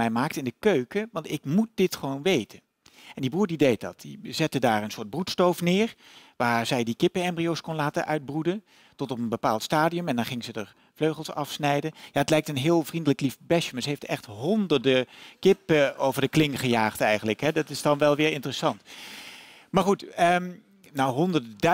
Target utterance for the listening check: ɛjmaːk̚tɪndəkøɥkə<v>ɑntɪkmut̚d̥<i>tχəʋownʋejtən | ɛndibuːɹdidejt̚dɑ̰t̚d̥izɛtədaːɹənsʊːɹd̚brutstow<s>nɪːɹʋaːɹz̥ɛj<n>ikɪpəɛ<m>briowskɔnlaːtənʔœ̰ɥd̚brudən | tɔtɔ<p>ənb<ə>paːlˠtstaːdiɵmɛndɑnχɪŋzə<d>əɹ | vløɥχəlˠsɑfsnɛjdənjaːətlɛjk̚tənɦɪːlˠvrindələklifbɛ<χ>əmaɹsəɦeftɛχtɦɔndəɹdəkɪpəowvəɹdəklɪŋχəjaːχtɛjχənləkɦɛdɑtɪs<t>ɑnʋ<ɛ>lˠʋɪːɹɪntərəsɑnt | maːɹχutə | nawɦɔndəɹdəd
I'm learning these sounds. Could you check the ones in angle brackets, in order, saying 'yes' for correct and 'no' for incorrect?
no, no, no, no, yes, yes, yes, yes, no, no, yes

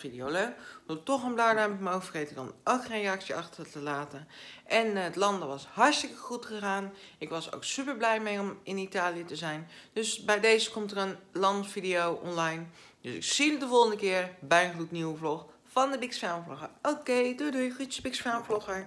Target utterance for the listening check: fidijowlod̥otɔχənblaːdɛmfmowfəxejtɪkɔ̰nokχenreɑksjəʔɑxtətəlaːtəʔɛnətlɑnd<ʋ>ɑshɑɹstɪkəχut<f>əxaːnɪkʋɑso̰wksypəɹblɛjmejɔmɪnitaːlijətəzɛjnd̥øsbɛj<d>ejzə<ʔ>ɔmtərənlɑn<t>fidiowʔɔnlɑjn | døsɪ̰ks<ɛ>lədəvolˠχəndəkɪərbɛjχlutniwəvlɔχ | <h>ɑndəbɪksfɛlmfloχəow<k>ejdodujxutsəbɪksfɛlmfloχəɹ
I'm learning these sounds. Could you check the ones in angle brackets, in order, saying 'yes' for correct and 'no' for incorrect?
yes, no, yes, no, yes, no, no, yes

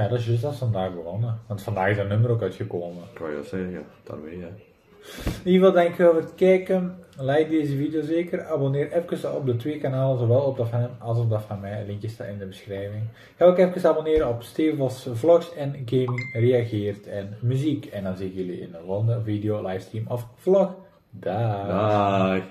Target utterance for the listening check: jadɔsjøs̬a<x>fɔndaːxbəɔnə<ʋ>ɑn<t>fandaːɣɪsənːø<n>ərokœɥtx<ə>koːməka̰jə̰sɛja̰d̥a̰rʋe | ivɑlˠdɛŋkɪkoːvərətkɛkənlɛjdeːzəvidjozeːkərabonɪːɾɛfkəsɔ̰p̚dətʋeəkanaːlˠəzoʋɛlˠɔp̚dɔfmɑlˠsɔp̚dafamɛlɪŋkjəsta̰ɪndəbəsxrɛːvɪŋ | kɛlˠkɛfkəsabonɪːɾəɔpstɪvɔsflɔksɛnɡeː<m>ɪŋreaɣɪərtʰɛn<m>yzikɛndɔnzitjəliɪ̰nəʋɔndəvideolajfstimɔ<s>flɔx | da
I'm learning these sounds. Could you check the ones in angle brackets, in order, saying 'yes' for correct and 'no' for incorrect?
no, yes, yes, no, yes, yes, yes, no

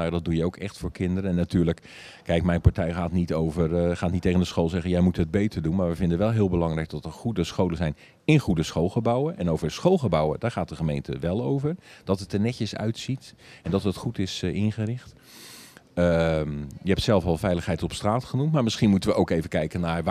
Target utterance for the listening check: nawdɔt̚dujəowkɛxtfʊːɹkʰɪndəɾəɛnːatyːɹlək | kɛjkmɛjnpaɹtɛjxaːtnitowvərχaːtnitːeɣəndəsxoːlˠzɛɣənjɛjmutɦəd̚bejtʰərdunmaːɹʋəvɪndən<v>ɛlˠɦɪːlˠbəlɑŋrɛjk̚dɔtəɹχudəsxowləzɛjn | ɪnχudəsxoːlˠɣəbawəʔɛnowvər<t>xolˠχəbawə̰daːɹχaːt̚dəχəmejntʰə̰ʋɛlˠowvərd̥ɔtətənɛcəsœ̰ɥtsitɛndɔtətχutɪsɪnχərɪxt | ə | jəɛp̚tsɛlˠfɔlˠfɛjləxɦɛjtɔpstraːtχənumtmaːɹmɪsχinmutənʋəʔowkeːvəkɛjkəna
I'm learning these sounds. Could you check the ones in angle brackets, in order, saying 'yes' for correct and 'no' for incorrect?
no, no

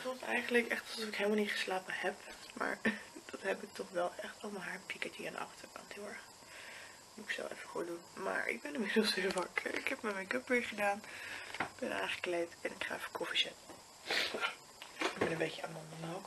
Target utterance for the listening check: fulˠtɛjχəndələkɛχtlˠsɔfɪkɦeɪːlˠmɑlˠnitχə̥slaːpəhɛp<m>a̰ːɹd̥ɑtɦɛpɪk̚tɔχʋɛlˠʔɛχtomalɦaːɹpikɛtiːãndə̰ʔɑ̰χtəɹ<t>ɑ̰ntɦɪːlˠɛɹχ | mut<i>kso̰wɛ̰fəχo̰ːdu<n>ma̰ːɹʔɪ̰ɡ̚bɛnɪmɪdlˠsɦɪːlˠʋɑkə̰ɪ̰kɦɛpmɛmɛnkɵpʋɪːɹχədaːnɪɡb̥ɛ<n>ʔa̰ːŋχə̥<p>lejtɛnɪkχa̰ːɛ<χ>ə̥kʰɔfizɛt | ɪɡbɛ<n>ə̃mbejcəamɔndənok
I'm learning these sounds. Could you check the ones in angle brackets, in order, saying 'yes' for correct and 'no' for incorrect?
yes, no, no, yes, yes, no, no, yes

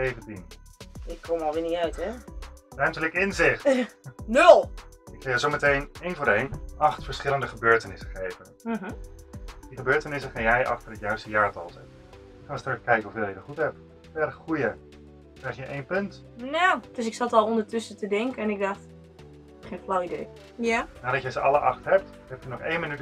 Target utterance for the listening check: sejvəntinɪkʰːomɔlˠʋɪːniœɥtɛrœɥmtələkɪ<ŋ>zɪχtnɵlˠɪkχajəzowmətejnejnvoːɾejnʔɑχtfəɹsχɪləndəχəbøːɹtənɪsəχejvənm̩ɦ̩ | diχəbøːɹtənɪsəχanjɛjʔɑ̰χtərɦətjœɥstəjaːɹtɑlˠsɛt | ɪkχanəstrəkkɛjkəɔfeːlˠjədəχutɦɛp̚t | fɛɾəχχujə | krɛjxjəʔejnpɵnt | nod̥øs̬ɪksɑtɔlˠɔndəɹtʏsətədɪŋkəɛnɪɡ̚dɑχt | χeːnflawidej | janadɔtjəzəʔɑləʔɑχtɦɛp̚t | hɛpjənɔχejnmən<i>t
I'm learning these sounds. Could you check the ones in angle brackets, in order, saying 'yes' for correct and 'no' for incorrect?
no, no

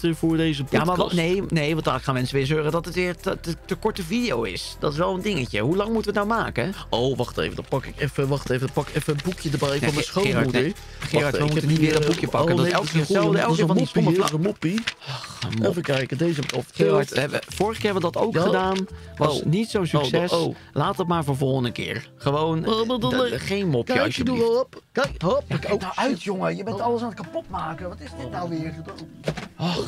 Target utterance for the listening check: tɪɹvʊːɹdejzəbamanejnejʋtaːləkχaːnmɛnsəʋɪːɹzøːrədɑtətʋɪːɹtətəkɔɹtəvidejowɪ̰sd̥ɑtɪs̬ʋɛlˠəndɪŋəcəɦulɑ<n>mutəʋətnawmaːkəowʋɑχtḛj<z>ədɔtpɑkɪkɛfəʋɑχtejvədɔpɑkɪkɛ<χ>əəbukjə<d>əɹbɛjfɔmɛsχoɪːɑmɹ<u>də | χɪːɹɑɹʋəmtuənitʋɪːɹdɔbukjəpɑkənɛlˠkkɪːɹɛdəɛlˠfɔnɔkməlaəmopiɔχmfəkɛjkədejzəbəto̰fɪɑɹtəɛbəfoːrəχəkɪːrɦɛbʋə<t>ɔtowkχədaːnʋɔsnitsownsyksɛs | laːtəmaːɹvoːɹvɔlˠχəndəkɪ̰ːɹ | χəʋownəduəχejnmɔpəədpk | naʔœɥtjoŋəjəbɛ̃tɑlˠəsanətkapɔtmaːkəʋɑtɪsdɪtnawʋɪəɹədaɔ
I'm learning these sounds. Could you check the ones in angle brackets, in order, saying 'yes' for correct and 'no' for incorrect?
no, no, no, yes, yes, no

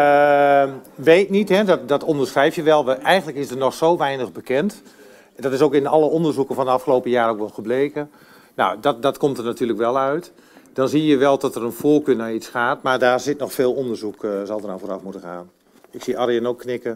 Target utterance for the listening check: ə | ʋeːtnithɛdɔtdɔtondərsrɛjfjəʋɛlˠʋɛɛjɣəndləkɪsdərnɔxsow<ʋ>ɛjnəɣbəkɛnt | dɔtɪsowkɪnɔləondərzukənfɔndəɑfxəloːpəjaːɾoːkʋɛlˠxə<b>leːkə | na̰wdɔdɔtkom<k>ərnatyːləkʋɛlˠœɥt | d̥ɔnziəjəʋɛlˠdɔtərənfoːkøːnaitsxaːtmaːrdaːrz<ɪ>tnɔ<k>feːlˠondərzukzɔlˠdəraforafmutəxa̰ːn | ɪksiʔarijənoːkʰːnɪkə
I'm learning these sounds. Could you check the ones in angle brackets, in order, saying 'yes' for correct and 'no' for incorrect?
yes, yes, no, yes, no

